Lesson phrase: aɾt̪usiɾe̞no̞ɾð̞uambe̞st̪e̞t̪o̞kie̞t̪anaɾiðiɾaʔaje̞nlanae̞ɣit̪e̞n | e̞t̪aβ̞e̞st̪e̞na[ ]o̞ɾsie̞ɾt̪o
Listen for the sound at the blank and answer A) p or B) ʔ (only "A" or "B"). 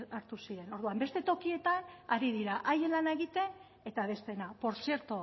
A